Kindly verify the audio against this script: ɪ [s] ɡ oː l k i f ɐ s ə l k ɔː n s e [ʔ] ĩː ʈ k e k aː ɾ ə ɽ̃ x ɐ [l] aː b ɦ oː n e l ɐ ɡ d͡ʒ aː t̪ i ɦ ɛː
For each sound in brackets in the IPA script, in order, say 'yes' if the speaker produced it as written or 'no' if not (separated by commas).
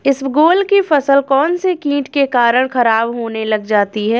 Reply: yes, no, no